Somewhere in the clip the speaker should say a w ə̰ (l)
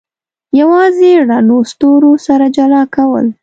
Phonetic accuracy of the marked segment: correct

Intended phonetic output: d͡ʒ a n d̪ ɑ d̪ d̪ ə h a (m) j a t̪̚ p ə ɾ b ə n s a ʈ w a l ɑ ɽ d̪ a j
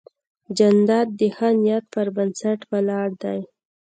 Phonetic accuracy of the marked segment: incorrect: n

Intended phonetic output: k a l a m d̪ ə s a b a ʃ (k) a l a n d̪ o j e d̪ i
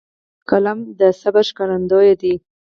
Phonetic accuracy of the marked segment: correct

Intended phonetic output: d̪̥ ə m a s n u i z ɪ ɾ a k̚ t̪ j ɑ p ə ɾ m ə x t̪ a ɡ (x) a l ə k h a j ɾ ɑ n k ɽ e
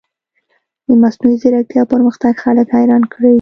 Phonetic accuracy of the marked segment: correct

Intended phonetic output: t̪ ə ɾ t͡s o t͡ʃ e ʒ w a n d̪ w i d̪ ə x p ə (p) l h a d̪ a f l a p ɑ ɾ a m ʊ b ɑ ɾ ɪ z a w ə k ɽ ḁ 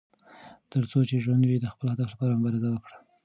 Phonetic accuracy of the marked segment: incorrect: none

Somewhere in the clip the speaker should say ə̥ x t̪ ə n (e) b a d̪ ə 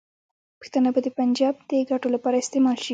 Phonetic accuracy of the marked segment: incorrect: a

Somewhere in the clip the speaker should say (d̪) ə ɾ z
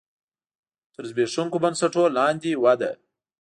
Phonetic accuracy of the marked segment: incorrect: t̪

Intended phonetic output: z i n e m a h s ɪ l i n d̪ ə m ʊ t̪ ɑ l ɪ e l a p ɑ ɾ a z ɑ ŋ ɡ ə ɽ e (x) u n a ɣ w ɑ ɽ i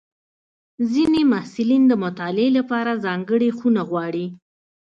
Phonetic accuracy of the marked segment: correct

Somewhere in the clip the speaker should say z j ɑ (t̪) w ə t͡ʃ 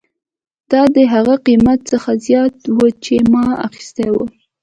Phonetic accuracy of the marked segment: correct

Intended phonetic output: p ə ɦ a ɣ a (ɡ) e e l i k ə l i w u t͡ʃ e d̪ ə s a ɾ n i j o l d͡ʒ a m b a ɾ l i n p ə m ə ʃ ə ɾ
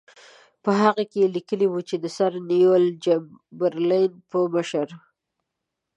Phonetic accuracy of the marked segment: incorrect: k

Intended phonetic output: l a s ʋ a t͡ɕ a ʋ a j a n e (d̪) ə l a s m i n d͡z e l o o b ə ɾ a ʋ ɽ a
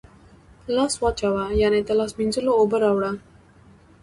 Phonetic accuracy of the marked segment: incorrect: t̪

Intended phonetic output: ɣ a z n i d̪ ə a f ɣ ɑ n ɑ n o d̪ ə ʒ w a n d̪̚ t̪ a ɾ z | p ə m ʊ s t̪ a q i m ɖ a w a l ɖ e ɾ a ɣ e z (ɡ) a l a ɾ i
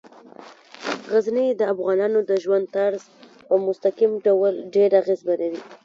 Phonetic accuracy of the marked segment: incorrect: b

